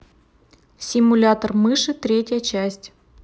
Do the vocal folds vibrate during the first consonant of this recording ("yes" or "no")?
no